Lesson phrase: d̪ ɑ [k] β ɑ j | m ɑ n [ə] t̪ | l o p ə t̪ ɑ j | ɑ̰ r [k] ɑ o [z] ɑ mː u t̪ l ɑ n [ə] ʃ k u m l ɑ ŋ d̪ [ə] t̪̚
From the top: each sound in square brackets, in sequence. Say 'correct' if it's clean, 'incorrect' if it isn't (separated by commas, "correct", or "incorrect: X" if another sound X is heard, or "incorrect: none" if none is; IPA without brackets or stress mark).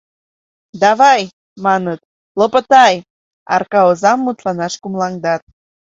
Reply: incorrect: none, correct, correct, correct, incorrect: ɑ, incorrect: ɑ